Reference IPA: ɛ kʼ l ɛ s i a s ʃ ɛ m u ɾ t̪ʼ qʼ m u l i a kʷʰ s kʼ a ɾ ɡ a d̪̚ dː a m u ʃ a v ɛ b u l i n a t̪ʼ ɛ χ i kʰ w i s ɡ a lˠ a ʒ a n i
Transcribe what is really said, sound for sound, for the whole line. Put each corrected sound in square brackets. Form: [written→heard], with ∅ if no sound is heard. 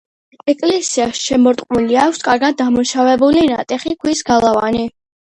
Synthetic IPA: ɛ kʼ l ɛ s i a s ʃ ɛ m [u→ɔ] ɾ t̪ʼ qʼ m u l i a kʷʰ s kʼ a ɾ ɡ a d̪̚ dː a m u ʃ a v ɛ b u l i n a t̪ʼ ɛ χ i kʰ w i s ɡ a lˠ a [ʒ→v] a n i